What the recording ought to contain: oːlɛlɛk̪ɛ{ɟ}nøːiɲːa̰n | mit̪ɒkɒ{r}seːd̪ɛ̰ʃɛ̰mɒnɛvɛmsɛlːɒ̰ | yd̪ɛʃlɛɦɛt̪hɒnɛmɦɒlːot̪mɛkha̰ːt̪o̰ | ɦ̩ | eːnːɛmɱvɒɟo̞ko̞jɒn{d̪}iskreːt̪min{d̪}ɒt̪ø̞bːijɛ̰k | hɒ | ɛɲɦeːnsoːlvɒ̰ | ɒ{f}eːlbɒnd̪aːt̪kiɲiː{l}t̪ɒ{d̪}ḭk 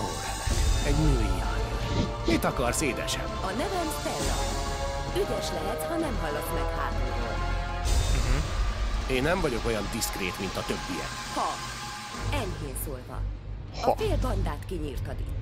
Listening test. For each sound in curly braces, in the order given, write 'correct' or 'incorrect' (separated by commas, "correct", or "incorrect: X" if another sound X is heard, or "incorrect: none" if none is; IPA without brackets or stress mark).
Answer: correct, correct, correct, incorrect: t̪, correct, incorrect: r, correct